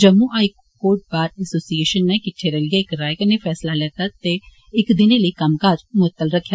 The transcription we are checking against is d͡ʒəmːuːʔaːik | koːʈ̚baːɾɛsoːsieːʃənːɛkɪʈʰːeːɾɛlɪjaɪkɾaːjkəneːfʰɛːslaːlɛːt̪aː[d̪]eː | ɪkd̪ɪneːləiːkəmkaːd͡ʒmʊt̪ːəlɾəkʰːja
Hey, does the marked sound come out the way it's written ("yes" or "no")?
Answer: no